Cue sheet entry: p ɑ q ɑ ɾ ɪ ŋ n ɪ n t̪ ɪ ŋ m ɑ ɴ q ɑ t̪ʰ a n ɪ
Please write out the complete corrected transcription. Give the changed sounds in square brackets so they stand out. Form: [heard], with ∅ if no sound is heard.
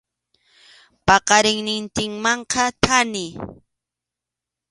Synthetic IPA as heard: p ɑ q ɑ ɾ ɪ ŋ n ɪ n t̪ ɪ ŋ m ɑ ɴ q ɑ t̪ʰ a n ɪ